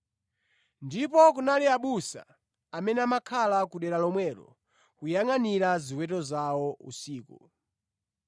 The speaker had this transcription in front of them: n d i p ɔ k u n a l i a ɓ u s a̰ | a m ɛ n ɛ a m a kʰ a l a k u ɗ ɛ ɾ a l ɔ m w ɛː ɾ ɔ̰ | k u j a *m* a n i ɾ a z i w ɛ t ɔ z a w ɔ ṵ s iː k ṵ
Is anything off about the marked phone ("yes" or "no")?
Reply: yes